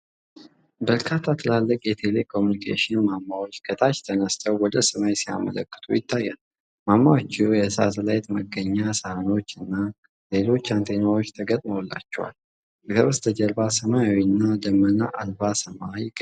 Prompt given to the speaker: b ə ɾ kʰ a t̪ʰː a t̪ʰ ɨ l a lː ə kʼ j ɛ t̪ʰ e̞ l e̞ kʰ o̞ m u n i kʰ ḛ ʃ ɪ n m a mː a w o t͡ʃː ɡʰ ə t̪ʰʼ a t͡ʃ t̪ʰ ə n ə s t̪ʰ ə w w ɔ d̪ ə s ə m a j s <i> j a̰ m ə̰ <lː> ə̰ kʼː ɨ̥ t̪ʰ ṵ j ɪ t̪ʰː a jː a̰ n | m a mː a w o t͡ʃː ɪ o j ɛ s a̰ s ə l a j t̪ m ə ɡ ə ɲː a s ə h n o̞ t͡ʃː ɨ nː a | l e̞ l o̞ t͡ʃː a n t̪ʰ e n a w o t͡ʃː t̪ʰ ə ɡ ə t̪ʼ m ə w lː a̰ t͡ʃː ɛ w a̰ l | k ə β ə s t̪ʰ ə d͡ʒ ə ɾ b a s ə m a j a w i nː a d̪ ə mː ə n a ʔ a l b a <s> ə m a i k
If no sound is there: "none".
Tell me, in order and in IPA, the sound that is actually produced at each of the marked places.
i, l, s

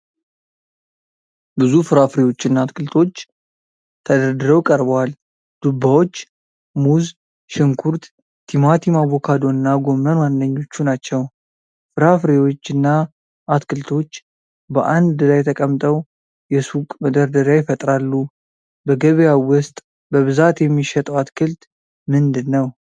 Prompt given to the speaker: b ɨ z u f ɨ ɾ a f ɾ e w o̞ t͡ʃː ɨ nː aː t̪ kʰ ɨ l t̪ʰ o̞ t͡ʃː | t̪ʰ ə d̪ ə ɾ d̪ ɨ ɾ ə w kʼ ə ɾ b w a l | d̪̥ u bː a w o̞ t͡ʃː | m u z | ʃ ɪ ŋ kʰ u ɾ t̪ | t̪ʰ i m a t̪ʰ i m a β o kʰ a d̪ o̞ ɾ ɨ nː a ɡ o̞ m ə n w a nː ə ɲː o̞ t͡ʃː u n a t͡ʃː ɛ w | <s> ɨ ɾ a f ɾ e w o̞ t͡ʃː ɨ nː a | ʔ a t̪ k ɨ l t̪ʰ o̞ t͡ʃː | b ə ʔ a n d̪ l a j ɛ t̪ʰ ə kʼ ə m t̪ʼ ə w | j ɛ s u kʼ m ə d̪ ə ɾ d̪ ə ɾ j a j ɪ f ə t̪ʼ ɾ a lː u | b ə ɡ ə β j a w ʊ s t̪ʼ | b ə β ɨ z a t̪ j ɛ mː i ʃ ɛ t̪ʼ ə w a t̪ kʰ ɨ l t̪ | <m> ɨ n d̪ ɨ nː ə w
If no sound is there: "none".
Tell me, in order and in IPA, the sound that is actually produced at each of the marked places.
f, m

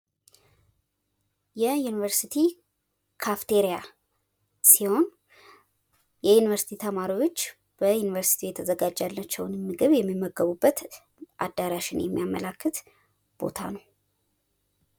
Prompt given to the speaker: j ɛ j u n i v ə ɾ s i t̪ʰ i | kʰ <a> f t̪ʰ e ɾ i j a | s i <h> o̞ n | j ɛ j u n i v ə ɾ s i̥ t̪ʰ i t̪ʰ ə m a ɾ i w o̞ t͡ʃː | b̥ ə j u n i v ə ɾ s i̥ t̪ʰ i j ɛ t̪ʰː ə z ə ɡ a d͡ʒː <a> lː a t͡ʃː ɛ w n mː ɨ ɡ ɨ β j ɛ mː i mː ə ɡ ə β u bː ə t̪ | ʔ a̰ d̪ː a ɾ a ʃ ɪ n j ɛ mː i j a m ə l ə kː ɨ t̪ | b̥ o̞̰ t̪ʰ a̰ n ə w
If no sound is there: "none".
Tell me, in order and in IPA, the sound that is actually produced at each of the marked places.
a, h, a

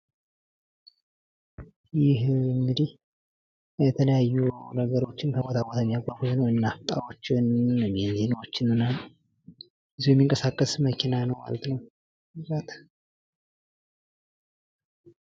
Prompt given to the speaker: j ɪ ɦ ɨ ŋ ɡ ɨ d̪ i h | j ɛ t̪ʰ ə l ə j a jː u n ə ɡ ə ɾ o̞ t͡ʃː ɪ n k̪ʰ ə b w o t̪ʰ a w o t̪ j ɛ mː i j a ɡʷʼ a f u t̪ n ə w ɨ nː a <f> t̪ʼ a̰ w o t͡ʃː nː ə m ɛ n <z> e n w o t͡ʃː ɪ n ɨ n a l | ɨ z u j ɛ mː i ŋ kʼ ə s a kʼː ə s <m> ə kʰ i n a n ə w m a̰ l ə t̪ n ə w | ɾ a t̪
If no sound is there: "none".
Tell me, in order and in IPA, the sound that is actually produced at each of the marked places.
f, z, m

